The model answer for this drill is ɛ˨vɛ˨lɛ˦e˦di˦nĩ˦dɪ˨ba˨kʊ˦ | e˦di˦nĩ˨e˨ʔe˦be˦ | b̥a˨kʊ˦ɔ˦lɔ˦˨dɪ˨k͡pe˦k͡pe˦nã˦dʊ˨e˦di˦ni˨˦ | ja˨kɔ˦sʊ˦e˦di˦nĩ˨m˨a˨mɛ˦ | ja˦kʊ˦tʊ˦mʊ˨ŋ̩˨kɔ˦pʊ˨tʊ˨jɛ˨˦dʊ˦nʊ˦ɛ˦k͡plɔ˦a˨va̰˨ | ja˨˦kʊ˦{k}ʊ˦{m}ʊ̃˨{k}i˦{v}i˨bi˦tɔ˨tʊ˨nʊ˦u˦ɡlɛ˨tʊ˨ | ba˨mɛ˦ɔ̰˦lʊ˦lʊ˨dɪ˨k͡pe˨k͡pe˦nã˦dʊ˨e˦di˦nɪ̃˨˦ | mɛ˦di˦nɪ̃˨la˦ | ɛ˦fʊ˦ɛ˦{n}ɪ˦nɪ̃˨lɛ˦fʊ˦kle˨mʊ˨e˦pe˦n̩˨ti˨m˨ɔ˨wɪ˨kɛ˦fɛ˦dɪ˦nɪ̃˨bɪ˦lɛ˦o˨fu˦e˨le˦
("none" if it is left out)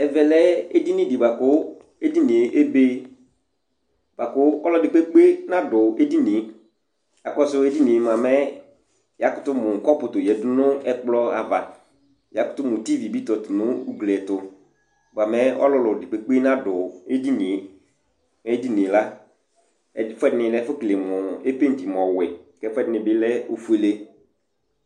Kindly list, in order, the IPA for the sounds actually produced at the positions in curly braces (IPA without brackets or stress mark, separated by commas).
t, m, t, v, d